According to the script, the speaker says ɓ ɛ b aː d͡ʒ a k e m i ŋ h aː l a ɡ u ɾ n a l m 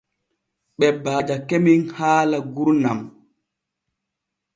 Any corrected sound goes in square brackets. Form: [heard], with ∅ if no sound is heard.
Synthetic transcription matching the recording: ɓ ɛ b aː d͡ʒ a k e m i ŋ h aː l a ɡ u ɾ n a [∅] m